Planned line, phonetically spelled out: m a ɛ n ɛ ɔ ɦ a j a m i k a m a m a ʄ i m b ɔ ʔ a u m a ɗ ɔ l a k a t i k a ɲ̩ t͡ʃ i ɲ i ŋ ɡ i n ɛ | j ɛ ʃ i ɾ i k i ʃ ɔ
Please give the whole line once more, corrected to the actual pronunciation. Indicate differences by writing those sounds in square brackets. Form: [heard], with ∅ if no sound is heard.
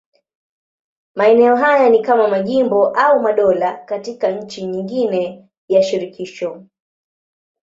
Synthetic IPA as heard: m a ɛ n ɛ ɔ ɦ a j a [n] i k a m a m a ʄ i m b ɔ ʔ a u m a ɗ ɔ l a k a t i k a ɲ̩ t͡ʃ i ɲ i ŋ ɡ i n ɛ | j [a] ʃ i ɾ i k i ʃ ɔ